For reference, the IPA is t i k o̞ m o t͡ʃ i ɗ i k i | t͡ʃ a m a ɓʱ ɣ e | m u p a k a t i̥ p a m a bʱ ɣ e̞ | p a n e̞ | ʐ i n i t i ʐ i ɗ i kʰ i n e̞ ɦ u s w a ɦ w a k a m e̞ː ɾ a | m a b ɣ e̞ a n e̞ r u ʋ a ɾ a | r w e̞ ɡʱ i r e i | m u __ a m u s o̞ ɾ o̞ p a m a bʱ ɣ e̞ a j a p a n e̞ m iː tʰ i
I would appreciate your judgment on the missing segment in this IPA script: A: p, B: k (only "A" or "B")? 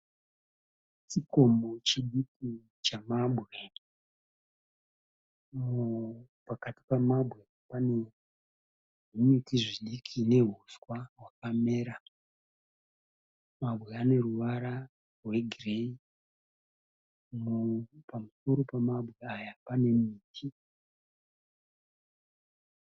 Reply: A